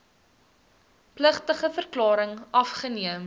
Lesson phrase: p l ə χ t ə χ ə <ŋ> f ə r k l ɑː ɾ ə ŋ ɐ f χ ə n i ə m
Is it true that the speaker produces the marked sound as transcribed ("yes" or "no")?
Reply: no